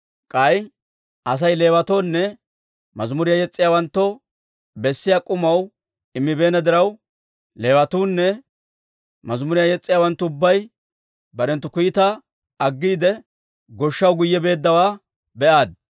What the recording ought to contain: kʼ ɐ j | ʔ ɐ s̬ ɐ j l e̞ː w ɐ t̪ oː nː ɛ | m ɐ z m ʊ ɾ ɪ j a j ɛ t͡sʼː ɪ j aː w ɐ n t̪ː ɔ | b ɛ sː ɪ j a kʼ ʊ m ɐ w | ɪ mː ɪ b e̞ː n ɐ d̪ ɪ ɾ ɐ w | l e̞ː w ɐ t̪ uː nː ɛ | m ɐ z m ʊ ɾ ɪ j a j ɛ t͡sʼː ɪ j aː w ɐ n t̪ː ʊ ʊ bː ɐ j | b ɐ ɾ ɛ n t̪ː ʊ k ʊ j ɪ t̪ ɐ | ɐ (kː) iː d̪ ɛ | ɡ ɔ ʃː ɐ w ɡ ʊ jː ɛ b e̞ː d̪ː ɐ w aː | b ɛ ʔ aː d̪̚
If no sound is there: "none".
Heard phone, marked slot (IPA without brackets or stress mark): ɡː